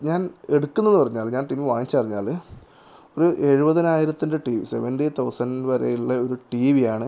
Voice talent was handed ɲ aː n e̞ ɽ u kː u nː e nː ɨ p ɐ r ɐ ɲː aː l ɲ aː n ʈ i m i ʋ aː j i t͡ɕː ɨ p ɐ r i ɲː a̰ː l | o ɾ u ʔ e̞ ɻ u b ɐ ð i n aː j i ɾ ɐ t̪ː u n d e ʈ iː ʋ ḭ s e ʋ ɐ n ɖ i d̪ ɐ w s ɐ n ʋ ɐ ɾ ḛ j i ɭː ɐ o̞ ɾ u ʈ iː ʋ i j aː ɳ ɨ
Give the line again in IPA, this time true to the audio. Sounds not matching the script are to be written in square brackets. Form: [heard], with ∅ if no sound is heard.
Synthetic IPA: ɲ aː n e̞ ɽ u kː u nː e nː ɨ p ɐ r ɐ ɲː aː l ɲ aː n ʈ i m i ʋ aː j i t͡ɕː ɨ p ɐ r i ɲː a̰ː l | o ɾ u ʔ e̞ ɻ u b ɐ ð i n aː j i ɾ ɐ t̪ː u n d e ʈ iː ʋ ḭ s e ʋ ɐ n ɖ i [t̪] ɐ w s ɐ n ʋ ɐ ɾ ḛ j i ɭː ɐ o̞ ɾ u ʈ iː ʋ i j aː ɳ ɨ